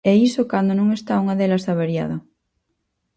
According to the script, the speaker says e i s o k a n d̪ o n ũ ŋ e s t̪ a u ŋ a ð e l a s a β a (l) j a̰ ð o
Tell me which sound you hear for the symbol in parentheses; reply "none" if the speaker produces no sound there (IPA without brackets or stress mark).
ɾ